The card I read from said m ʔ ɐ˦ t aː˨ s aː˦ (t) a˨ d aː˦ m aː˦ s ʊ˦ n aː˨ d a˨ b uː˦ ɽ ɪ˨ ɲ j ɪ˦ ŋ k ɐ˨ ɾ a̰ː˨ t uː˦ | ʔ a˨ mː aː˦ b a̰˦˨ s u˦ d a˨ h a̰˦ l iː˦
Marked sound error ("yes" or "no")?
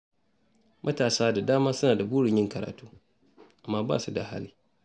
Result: yes